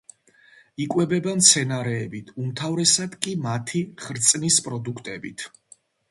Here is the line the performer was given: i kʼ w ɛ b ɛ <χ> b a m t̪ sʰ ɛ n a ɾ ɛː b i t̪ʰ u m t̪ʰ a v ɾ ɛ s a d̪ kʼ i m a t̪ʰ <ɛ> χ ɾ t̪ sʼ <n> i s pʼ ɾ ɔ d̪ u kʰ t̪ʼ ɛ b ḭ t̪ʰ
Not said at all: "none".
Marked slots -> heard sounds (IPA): none, i, n

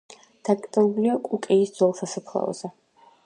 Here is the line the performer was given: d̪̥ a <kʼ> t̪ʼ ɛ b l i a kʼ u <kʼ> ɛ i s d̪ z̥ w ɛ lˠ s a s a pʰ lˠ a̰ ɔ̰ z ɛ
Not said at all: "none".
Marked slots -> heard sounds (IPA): kʼ, kʼ

